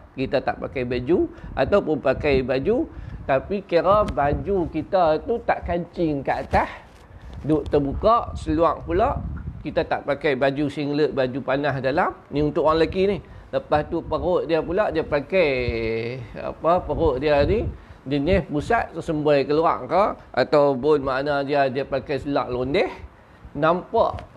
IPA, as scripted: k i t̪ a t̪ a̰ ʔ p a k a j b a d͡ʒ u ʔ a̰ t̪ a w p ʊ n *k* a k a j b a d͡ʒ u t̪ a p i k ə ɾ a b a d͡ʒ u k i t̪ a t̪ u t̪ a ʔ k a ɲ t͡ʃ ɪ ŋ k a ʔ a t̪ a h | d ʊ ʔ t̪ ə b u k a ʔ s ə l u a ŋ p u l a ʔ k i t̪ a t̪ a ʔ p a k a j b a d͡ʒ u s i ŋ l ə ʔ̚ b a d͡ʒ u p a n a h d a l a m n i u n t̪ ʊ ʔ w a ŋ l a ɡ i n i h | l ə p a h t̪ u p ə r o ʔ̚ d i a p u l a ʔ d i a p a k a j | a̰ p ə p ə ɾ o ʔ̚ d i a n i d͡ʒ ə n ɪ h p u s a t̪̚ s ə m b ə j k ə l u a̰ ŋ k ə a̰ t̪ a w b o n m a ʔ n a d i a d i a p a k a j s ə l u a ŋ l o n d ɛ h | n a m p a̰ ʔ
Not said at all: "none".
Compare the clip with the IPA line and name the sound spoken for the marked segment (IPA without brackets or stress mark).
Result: p